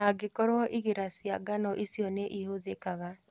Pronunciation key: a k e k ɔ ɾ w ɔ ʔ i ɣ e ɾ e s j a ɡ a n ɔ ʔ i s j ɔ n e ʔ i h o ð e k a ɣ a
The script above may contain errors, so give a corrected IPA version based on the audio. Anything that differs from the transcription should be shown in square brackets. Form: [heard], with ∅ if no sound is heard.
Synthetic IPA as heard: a [ɡ] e k ɔ ɾ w ɔ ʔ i ɣ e ɾ [a] s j a ɡ a n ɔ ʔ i s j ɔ n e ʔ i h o ð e k a ɣ a

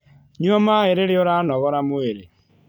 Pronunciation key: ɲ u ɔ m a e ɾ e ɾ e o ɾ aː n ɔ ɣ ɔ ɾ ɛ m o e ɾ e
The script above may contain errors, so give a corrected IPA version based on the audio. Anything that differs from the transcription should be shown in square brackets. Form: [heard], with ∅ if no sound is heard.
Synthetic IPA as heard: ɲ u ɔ m a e ɾ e ɾ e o ɾ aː n ɔ ɣ ɔ ɾ [a] m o e ɾ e

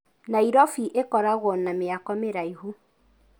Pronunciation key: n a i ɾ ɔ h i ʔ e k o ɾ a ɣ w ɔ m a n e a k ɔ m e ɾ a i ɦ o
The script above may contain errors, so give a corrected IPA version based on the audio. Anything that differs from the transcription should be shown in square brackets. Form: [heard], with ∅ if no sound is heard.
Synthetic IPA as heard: n a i ɾ ɔ [f] i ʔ e k [ɔ] ɾ a ɣ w ɔ [n] a [m] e a k ɔ m e ɾ a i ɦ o

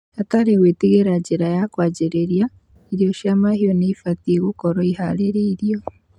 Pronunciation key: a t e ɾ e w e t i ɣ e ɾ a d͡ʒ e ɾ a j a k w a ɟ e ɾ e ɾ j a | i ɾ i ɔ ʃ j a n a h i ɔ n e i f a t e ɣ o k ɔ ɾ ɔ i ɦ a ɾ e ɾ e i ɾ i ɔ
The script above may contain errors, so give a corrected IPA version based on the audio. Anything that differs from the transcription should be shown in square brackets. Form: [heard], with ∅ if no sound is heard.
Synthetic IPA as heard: a t [a] ɾ e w e t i ɣ e ɾ a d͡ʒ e ɾ a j a k w a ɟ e ɾ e ɾ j a | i ɾ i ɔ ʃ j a [m] a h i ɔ n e i f a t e ɣ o k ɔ ɾ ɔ i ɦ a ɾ e ɾ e i ɾ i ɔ

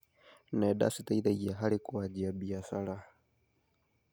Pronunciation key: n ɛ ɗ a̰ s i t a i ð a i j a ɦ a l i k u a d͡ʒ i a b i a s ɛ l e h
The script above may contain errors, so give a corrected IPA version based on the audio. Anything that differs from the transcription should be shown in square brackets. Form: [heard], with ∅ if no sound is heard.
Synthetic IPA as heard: n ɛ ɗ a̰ s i t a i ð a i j a ɦ a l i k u a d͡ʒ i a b i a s [a] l [a] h

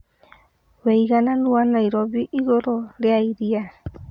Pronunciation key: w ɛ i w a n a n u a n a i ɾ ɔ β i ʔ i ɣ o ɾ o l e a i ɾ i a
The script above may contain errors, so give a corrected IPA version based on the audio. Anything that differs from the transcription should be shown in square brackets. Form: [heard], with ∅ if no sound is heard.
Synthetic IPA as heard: w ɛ i [ɣ] a n a n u a n a i ɾ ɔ β i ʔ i ɣ o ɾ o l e a i ɾ i a

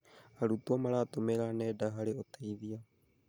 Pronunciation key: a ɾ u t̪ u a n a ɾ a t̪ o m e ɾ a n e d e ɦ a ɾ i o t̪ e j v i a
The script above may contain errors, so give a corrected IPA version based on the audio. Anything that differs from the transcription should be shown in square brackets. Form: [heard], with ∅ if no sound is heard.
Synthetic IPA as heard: a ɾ u t̪ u a [m] a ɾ a t̪ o m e ɾ a n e d [a] ɦ a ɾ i o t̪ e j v i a

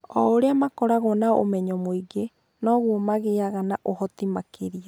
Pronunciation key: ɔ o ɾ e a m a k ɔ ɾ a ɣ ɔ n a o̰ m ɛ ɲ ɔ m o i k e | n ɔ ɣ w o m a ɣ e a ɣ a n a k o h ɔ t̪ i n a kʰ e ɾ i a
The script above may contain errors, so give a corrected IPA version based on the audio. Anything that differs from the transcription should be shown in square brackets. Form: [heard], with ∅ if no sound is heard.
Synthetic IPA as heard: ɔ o ɾ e a m a k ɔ ɾ a ɣ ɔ n a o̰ m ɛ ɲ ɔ m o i [ɡ] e | n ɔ ɣ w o m a ɣ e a ɣ a n a [ʔ] o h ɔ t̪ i [m] a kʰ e ɾ i a

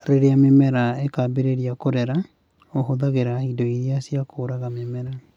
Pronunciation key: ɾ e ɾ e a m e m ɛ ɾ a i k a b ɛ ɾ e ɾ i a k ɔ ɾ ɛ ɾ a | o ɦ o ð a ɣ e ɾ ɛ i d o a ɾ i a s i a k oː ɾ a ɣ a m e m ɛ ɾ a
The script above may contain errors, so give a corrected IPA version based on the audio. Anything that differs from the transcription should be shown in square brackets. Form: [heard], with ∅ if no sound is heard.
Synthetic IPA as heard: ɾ e ɾ e a m e m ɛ ɾ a [e] k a b [e] ɾ e ɾ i a k [o] ɾ ɛ ɾ a | o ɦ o ð a ɣ e ɾ [a] i d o [i] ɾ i a s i a k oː ɾ a ɣ a m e m ɛ ɾ a

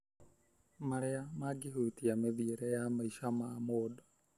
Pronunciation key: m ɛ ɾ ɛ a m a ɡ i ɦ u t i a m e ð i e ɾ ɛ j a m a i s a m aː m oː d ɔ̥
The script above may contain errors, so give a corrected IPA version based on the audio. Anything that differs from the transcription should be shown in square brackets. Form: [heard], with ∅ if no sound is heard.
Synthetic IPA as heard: m [a] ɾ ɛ a m a ɡ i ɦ u t i a m e ð i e ɾ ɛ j a m a i [ʃ] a m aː m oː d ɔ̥

